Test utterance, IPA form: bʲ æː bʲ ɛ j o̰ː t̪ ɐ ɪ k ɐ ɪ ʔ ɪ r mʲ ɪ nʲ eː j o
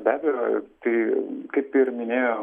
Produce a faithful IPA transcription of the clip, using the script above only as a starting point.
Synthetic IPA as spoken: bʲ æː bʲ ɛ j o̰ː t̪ ɐ ɪ k ɐ ɪ p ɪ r mʲ ɪ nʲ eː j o